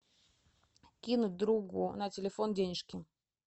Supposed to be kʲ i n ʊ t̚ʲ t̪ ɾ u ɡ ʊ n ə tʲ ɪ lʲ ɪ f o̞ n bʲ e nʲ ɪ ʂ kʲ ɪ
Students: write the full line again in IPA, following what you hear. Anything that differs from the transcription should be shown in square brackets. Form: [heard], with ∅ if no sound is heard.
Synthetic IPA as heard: kʲ i n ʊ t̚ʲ [d̪] ɾ u ɡ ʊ n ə tʲ ɪ lʲ ɪ f o̞ n [dʲ] e nʲ ɪ ʂ kʲ ɪ